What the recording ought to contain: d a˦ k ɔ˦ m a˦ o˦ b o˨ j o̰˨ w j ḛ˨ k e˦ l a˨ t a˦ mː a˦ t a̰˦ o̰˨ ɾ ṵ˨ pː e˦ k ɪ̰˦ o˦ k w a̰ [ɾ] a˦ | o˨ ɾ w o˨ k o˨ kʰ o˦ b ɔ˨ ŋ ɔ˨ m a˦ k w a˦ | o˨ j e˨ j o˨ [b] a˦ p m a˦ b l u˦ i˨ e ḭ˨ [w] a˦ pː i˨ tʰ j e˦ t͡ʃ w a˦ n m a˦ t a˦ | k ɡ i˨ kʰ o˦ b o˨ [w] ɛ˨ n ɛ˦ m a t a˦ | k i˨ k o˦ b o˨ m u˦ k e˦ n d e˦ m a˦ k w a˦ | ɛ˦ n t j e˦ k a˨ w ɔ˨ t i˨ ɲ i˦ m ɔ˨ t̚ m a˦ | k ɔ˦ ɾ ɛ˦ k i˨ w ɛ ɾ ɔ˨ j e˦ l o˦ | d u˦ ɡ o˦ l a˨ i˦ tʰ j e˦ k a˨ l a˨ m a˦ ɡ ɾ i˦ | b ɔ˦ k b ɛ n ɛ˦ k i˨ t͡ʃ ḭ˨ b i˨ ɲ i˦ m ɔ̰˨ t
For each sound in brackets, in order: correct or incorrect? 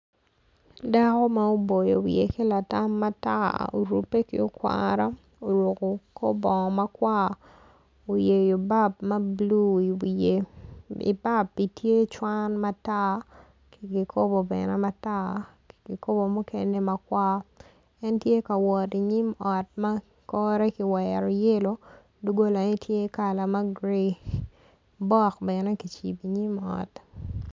correct, correct, incorrect: b, incorrect: b

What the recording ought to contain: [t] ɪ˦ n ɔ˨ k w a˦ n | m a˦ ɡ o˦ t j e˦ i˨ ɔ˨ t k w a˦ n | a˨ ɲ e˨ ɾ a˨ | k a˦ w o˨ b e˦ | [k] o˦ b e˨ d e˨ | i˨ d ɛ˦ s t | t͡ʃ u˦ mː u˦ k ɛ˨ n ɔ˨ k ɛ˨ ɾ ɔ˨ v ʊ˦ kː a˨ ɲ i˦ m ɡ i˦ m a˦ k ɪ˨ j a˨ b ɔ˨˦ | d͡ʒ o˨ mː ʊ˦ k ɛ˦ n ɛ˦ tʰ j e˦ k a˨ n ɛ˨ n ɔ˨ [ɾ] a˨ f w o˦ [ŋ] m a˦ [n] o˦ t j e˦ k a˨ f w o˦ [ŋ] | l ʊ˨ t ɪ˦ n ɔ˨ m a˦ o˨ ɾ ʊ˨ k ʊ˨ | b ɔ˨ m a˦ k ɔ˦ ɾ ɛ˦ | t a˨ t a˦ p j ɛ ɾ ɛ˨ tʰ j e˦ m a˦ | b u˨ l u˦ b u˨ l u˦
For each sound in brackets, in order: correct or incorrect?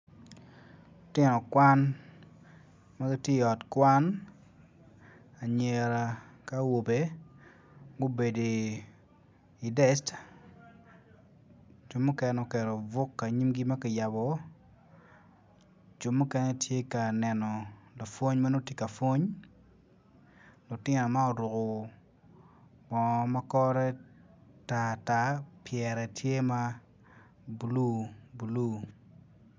correct, incorrect: ɡ, incorrect: l, incorrect: ɲ, correct, incorrect: ɲ

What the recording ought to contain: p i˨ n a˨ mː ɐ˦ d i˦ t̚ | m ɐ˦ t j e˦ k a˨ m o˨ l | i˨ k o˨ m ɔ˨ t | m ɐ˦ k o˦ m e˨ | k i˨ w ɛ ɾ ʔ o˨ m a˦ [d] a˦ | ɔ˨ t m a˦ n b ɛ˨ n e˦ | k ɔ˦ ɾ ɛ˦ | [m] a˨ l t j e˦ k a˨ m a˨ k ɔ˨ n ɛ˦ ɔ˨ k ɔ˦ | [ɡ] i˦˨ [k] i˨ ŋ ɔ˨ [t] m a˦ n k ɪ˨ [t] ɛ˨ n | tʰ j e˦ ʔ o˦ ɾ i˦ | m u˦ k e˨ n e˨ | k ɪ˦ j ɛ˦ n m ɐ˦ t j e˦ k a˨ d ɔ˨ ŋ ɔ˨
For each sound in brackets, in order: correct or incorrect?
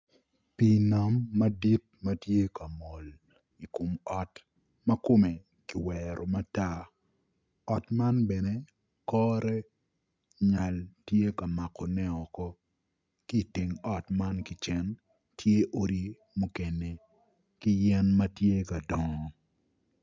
incorrect: t, incorrect: ɲ, incorrect: k, incorrect: t, correct, incorrect: t͡ʃ

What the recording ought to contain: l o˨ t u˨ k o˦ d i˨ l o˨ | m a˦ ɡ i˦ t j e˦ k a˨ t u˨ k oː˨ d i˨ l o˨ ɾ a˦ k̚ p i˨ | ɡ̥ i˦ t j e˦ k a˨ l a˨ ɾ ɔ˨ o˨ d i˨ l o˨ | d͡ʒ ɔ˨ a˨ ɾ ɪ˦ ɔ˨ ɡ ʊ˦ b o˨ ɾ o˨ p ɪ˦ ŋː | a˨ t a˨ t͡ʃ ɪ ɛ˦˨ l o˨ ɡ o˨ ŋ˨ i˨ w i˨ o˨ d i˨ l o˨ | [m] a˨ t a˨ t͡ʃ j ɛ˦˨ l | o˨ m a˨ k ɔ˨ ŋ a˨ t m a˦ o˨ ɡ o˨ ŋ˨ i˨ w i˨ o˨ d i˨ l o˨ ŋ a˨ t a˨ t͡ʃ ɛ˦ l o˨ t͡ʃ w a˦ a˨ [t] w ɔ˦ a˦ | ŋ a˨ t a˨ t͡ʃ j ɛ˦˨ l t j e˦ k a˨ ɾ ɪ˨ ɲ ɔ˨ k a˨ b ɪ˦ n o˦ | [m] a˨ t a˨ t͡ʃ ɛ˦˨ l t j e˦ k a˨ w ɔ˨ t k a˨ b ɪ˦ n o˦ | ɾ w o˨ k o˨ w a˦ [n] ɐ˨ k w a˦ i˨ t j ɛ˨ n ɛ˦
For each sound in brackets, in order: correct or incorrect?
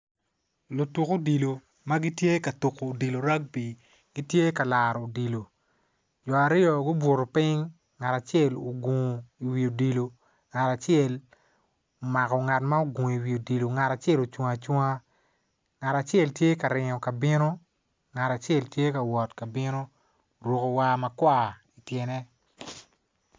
incorrect: ŋ, incorrect: t͡ʃ, incorrect: ŋ, incorrect: m

